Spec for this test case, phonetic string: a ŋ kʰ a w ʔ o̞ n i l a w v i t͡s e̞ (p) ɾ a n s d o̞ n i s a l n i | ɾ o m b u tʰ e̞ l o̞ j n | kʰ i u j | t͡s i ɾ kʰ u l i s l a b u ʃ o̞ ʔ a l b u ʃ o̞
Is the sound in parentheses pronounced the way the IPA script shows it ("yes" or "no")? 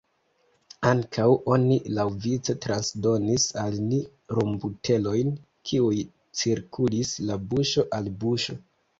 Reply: no